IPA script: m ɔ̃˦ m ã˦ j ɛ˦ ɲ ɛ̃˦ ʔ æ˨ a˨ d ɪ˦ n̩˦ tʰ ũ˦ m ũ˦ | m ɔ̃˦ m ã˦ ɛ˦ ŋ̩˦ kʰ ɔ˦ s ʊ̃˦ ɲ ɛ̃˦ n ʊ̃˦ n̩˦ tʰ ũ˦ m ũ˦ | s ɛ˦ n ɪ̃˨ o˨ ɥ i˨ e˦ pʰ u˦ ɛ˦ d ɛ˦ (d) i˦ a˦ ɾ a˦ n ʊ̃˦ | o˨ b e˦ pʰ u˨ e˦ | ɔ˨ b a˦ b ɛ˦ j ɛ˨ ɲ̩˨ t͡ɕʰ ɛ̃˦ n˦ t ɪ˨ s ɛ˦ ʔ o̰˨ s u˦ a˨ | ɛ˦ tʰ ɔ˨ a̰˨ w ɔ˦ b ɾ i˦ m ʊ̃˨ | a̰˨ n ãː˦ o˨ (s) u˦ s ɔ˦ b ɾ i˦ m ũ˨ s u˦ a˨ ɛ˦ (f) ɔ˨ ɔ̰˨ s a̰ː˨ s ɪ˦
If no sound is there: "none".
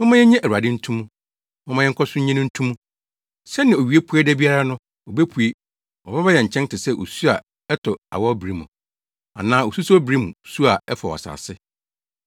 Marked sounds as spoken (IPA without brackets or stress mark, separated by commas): b, s, f